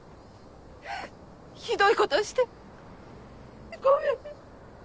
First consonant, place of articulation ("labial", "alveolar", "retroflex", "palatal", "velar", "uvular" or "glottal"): palatal